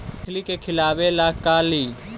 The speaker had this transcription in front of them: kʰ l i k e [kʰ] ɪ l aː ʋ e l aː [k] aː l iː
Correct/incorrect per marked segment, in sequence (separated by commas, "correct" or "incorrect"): correct, correct